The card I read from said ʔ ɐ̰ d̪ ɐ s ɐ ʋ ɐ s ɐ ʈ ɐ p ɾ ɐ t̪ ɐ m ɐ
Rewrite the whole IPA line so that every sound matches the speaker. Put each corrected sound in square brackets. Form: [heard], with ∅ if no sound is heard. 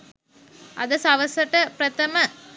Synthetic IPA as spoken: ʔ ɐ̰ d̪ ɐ s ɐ ʋ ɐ s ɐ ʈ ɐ p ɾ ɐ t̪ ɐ m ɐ